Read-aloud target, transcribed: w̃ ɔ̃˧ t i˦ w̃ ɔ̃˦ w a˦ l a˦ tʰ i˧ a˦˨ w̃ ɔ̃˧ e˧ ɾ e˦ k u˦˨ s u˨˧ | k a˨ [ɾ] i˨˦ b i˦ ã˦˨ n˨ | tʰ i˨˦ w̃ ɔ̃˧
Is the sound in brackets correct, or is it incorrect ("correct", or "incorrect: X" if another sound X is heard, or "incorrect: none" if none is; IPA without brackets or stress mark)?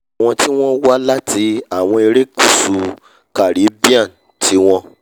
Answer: correct